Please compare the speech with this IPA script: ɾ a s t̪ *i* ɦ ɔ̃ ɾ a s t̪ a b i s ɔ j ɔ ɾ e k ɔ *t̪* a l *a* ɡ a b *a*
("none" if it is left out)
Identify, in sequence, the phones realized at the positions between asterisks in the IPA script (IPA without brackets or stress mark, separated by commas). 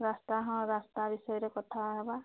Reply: a, t̪ʰ, a, a